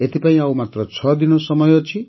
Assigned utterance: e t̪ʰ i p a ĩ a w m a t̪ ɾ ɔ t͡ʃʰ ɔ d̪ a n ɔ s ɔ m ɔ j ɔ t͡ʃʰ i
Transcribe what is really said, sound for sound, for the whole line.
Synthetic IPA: e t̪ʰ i p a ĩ a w m a t̪ ɾ ɔ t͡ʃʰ ɔ d̪ i n ɔ s ɔ m ɔ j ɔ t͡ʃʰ i